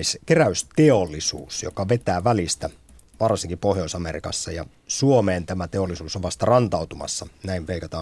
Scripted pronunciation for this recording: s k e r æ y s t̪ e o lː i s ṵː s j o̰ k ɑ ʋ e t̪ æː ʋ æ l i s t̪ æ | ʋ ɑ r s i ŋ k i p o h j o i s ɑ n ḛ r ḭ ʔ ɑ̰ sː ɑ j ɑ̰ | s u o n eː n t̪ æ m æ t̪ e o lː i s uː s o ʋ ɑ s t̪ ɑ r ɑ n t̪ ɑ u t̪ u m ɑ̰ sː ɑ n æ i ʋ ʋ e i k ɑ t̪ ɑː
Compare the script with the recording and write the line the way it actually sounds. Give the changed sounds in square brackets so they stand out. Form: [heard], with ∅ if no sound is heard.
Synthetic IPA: s k e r æ y s t̪ e o lː i s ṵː s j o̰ k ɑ ʋ e t̪ æː ʋ æ l i s t̪ æ | ʋ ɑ r s i ŋ k i p o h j o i s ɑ [m] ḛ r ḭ [k] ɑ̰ sː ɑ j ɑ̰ | s u o [m] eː n t̪ æ m æ t̪ e o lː i s uː s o ʋ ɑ s t̪ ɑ r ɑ n t̪ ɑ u t̪ u m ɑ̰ sː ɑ n æ i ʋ ʋ e i k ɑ t̪ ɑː